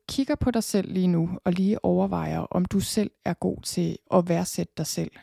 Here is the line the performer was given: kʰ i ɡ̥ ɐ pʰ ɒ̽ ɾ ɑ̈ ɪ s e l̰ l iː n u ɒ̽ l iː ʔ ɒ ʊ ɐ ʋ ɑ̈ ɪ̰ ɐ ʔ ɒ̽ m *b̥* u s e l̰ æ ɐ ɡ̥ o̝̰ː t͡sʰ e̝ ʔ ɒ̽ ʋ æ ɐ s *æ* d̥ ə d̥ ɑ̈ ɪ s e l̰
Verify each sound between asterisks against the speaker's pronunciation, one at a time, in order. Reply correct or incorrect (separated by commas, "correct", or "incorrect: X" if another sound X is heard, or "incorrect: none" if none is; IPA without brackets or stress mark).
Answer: incorrect: d̥, incorrect: e